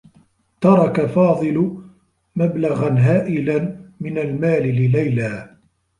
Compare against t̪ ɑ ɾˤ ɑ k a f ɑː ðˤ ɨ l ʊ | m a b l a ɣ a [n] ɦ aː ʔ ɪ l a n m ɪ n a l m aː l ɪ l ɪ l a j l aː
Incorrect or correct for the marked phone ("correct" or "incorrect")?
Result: correct